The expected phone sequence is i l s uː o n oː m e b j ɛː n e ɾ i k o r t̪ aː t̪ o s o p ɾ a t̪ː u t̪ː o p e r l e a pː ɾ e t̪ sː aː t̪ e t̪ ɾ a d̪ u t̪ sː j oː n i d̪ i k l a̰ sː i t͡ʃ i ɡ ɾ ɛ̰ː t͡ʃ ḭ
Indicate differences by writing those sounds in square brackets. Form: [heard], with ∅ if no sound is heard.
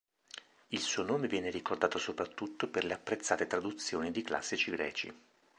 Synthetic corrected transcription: i l s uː o n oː m e [v] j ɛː n e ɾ i k o r [d̪] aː t̪ o s o p ɾ a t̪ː u t̪ː o p e r l e a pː ɾ e t̪ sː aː t̪ e t̪ ɾ a d̪ u t̪ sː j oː n i d̪ i k l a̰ sː i t͡ʃ i ɡ ɾ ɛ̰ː t͡ʃ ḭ